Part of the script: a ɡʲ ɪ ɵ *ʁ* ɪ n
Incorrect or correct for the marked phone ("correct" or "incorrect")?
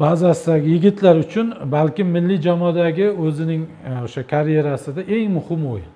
incorrect